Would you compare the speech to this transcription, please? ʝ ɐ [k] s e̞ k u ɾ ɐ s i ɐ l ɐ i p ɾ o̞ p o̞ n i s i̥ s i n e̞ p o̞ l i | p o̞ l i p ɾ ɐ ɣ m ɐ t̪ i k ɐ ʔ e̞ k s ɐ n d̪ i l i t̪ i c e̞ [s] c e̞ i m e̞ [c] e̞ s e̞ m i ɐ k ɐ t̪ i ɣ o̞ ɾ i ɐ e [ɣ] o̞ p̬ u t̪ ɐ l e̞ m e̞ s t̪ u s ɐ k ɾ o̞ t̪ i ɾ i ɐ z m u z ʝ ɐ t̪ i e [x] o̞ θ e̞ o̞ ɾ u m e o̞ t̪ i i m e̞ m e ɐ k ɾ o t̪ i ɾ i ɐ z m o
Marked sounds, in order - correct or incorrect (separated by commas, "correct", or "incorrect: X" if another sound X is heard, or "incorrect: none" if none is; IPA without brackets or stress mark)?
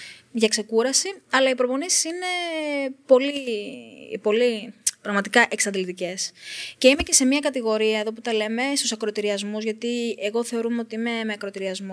correct, correct, correct, incorrect: ð, incorrect: ɣ